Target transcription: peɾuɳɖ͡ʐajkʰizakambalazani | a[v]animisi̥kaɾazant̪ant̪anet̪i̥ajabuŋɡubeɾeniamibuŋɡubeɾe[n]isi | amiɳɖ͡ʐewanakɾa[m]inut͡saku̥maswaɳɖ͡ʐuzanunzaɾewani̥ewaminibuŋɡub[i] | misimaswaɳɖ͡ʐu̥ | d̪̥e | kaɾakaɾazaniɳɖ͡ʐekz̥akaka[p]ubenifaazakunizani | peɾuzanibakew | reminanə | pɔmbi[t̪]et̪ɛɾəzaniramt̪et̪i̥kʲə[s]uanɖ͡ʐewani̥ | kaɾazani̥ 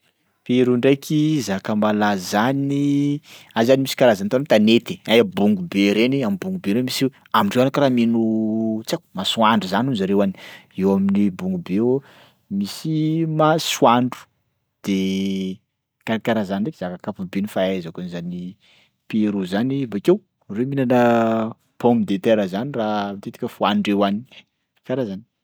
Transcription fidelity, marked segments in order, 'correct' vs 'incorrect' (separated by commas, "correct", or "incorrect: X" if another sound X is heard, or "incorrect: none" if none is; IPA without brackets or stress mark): incorrect: z, incorrect: m, correct, incorrect: e, correct, incorrect: d̪, incorrect: f